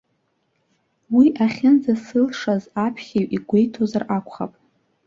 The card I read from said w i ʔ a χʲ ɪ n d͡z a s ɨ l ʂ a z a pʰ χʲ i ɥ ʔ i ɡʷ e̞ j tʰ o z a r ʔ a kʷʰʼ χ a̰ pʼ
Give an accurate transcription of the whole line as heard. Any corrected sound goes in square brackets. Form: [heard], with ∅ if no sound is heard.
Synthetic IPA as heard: w i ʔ a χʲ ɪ n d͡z a s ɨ l ʂ a z a pʰ χʲ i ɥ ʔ i ɡʷ e̞ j tʰ o z a r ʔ a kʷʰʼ χ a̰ pʼ